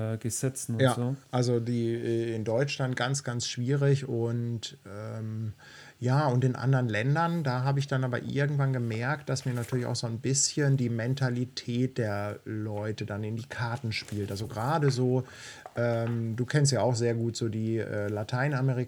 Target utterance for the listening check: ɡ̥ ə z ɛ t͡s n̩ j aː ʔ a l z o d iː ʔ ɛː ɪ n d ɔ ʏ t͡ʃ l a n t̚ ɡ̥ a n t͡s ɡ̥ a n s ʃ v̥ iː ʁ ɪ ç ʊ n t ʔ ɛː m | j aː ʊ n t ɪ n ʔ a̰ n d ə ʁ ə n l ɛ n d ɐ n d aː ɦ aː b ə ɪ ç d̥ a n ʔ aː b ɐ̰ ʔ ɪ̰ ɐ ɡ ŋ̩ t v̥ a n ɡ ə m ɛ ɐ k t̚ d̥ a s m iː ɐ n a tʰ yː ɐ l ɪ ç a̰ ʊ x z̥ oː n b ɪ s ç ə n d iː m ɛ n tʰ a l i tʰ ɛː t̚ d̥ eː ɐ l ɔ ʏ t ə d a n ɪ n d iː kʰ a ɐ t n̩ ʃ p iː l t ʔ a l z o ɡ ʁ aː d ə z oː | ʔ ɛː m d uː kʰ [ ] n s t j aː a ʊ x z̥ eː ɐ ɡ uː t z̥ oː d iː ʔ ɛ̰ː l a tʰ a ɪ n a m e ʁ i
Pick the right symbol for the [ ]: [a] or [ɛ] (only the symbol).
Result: ɛ